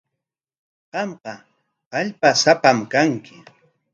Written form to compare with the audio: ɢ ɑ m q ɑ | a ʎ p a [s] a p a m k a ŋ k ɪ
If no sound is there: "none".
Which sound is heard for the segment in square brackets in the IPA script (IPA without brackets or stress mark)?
s